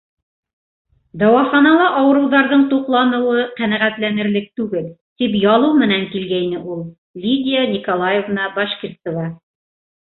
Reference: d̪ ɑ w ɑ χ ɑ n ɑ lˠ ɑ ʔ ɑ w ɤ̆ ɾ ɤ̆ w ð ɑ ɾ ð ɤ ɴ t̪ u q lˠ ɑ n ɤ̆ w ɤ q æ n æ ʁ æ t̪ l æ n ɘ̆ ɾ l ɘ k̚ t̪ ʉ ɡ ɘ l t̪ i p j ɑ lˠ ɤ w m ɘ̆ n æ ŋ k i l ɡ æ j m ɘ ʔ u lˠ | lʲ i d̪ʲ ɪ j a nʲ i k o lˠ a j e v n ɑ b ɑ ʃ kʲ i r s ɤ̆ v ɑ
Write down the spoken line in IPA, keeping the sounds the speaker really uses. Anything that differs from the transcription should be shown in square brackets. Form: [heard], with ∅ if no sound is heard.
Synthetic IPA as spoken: d̪ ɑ w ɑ χ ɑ n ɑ lˠ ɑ ʔ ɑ w ɤ̆ ɾ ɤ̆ w ð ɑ ɾ ð ɤ ɴ t̪ u q lˠ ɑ n ɤ̆ w ɤ q æ n æ ʁ æ t̪ l æ n ɘ̆ ɾ l ɘ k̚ t̪ ʉ ɡ ɘ l t̪ i p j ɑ lˠ ɤ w m ɘ̆ n æ ŋ k i l ɡ æ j [n] ɘ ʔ u lˠ | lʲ i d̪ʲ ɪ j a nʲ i k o lˠ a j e v n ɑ b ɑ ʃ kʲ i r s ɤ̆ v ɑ